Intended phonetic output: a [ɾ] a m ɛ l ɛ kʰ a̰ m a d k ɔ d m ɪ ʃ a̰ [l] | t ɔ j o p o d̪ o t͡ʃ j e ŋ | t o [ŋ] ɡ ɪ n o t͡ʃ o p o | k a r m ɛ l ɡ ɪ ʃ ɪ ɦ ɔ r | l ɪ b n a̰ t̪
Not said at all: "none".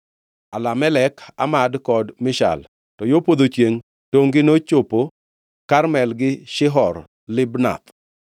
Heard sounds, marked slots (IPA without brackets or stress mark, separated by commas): l, l, ŋ